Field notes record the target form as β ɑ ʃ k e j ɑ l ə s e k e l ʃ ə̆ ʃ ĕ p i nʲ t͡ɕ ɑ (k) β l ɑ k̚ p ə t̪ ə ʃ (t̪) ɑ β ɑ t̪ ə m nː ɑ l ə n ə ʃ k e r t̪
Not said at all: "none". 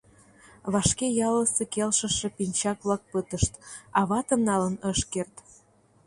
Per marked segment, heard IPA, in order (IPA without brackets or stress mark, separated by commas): k, t̪